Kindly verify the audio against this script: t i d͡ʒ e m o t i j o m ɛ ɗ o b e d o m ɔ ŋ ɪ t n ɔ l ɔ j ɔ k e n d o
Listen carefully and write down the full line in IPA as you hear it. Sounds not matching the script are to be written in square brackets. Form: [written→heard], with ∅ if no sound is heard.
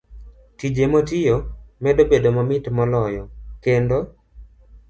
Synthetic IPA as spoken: t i d͡ʒ e m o t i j o m ɛ [ɗ→d] o b e d o m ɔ [ŋ→m] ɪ t [n→m] ɔ l ɔ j ɔ k e n d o